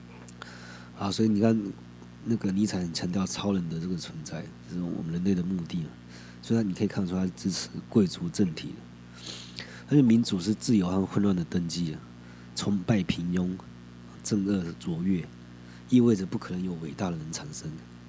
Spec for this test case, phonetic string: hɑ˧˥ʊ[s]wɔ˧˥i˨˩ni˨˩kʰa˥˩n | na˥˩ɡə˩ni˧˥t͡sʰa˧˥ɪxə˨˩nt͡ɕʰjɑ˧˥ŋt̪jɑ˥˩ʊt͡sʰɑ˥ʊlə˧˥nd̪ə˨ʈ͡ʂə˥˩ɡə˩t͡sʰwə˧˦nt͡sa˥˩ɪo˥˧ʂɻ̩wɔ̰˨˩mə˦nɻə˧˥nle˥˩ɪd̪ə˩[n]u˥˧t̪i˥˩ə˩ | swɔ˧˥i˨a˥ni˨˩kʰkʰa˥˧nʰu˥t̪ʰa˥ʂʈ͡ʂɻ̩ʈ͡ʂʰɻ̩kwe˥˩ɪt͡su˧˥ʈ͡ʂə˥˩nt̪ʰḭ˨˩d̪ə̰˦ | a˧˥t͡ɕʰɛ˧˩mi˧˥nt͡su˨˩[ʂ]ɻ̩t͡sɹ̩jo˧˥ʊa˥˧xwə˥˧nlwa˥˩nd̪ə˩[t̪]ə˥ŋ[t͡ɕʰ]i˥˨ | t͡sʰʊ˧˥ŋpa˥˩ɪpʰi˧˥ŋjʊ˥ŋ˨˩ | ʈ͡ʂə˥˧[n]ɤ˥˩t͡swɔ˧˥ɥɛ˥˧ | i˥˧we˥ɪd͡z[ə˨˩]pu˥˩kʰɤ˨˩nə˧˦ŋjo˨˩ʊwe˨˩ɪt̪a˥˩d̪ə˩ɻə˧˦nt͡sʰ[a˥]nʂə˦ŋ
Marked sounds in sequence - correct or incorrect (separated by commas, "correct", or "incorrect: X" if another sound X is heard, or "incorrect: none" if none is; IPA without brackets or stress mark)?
correct, incorrect: m, correct, correct, incorrect: t͡ɕ, incorrect: ŋ, correct, incorrect: a˨˩